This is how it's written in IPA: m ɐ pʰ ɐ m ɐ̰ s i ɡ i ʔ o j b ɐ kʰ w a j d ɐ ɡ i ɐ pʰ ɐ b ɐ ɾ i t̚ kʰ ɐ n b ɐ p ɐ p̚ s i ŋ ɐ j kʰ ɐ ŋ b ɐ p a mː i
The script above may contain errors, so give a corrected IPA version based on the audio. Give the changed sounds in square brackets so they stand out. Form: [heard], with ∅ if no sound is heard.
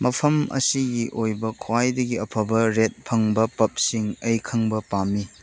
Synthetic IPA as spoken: m ɐ pʰ ɐ m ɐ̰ s i ɡ i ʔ o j b ɐ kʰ w a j d ɐ ɡ i ɐ pʰ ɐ b ɐ ɾ [e] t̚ [pʰ] ɐ [ŋ] b ɐ p ɐ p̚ s i ŋ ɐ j kʰ ɐ ŋ b ɐ p a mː i